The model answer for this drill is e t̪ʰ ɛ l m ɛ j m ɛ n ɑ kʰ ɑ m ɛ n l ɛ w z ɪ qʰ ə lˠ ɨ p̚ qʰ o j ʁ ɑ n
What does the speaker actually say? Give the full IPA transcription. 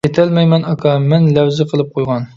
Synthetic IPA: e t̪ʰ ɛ l m ɛ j m ɛ n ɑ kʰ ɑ m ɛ n l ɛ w z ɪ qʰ ə lˠ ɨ p̚ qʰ o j ʁ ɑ n